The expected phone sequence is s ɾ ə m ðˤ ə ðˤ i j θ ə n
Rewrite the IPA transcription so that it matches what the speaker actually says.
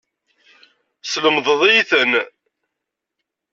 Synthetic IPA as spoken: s l ə m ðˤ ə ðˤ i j θ ə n